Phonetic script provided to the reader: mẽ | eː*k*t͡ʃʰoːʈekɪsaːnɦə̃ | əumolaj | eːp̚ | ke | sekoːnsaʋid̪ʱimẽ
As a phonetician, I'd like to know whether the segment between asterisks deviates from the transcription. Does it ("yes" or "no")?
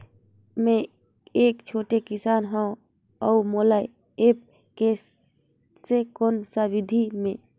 no